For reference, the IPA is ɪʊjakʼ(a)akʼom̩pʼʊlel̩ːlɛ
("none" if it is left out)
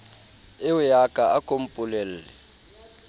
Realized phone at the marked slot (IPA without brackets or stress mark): a